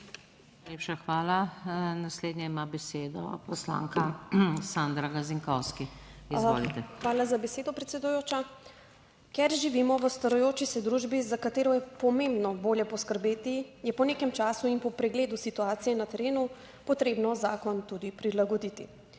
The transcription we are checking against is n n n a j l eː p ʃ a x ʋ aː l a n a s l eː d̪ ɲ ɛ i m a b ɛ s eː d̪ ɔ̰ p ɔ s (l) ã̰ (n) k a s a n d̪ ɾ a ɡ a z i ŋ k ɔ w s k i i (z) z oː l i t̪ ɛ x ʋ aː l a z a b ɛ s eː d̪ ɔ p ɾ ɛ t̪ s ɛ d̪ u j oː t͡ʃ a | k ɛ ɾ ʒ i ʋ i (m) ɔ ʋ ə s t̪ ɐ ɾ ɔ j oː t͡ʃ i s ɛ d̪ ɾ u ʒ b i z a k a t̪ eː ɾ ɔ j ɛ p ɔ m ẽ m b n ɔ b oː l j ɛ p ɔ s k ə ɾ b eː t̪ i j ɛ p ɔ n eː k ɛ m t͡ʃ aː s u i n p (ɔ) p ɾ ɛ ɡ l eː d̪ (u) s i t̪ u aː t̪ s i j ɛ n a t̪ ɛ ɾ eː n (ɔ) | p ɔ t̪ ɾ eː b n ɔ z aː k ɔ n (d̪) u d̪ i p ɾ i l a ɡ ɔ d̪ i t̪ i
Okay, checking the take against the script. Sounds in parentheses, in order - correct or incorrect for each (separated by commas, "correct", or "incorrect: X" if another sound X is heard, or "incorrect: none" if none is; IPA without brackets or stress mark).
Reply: correct, incorrect: ŋ, correct, correct, correct, correct, incorrect: u, incorrect: t̪